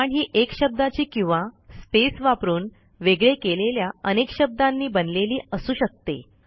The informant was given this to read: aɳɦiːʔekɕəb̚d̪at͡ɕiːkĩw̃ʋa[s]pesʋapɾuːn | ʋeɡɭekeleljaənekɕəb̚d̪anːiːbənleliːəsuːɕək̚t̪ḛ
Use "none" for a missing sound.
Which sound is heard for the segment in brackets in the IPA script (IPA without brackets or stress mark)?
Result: s